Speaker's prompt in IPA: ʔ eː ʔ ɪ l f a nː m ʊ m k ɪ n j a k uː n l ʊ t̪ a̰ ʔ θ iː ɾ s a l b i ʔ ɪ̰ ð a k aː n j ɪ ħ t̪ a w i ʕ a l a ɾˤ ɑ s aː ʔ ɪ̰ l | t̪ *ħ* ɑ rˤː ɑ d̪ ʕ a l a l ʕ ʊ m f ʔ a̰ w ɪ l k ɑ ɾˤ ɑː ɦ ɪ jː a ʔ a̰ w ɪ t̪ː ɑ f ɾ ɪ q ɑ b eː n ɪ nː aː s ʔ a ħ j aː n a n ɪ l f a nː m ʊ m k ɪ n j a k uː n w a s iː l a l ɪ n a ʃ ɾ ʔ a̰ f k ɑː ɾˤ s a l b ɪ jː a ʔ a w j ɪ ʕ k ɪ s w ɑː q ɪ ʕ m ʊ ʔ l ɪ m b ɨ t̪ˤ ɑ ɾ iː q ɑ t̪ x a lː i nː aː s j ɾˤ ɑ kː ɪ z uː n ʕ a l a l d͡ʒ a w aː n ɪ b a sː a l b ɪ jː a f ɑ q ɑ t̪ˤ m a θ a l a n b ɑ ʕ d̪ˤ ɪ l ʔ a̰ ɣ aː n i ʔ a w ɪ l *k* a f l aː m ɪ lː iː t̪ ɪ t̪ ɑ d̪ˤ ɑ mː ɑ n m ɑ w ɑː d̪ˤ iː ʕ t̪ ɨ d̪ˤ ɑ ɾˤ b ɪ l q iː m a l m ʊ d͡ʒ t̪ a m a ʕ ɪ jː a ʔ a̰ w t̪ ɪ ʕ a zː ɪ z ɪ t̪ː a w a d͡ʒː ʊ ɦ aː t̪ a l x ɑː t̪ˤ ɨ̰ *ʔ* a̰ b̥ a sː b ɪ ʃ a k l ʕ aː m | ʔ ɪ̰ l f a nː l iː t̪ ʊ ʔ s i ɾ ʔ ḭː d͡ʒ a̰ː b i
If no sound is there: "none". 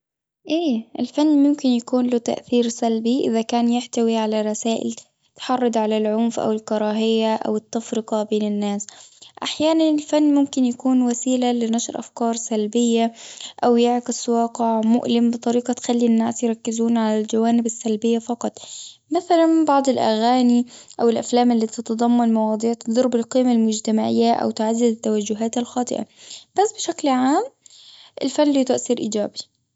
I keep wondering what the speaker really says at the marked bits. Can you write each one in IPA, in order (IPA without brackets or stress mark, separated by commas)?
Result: ħ, ʔ, ʔ